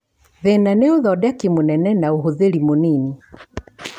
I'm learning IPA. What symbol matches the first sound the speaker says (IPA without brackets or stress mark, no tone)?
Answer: ð